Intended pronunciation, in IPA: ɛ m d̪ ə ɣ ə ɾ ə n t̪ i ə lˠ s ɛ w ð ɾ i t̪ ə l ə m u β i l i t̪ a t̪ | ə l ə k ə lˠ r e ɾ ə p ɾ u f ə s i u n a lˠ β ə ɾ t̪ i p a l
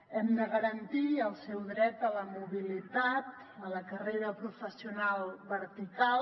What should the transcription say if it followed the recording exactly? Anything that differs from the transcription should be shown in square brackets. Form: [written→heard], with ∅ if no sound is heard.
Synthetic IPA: ɛ m d̪ ə ɣ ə ɾ ə n t̪ i ə lˠ s ɛ w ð ɾ [i→ɛ] t̪ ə l ə m u β i l i t̪ a t̪ | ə l ə k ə [lˠ→∅] r e ɾ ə p ɾ u f ə s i u n a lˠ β ə ɾ t̪ i [p→k] a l